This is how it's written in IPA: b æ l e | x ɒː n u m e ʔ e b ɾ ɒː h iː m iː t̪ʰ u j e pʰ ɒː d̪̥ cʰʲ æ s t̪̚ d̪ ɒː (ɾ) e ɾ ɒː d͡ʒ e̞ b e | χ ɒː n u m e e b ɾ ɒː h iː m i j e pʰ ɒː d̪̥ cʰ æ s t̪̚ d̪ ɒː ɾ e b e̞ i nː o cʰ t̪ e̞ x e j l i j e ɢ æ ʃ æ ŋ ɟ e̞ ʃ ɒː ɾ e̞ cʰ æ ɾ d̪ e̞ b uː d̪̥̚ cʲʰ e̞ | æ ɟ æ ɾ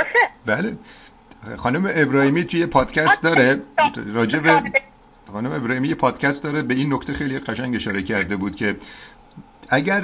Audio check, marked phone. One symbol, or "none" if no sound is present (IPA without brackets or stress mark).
ɾ